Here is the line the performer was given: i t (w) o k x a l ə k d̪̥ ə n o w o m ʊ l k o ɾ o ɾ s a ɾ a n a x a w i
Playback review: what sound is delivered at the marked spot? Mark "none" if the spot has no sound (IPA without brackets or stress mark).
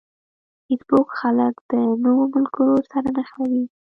b